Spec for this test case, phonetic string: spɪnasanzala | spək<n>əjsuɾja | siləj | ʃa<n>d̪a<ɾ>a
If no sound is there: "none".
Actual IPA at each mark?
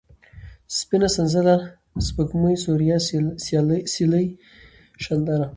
m, n, ɾ

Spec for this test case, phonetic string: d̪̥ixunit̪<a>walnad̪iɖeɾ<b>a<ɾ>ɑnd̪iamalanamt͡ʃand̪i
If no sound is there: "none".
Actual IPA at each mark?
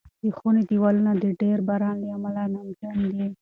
i, b, ɾ

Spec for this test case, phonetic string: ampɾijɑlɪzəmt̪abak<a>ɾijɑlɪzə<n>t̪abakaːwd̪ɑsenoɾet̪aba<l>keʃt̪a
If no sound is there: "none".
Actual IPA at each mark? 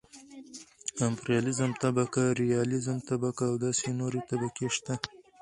a, m, none

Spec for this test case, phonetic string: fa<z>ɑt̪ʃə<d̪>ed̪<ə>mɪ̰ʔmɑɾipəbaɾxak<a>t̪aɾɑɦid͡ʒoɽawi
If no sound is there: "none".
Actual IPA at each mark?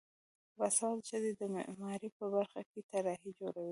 s, d̪, ə, e

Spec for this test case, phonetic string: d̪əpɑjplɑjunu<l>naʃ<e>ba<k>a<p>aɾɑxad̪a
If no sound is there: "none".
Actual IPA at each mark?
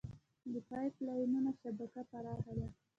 none, a, k, p

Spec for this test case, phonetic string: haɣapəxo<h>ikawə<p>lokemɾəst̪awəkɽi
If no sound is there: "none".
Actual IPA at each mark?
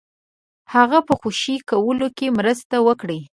ʃ, none

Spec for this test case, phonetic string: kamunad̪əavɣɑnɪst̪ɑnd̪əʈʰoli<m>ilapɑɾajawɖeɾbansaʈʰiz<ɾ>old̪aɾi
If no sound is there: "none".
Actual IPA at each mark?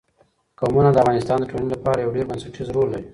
n, ɾ

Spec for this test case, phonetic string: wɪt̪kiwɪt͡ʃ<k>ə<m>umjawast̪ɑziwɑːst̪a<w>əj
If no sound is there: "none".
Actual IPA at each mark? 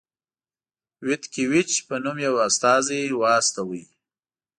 p, n, w

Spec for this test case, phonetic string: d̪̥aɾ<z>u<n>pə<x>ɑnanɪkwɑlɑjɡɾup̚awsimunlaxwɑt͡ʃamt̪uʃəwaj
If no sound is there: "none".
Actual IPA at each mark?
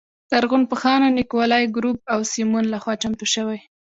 ɣ, n, x

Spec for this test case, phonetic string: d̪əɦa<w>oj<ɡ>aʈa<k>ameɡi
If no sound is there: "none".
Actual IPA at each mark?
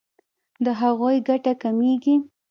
ɣ, ɡ, k

